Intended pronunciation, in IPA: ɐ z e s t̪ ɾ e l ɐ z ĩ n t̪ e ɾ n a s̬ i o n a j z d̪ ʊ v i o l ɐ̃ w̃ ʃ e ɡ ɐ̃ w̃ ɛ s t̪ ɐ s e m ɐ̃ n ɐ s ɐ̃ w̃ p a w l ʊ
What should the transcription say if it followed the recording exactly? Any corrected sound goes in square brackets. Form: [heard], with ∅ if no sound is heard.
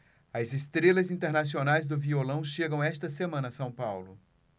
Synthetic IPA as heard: ɐ z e s t̪ ɾ e l ɐ z ĩ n t̪ e ɾ n a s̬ i o n a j z d̪ ʊ v i o l ɐ̃ w̃ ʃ e ɡ ɐ̃ w̃ ɛ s t̪ ɐ s e m ɐ̃ n ɐ s ɐ̃ w̃ p a w l ʊ